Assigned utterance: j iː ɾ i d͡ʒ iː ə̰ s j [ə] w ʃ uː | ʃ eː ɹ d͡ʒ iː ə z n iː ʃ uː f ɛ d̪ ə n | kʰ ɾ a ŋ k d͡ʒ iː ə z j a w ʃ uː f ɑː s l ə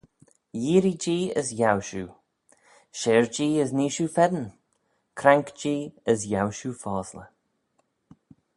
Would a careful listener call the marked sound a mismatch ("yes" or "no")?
yes